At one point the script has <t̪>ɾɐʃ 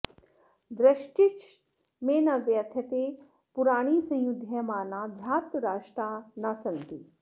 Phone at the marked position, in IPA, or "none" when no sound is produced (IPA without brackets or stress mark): d̪